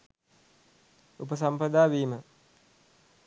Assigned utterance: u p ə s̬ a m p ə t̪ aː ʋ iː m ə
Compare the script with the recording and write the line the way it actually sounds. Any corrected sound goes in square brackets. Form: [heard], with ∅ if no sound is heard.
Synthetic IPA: u p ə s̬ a m p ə [d̪] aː ʋ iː m ə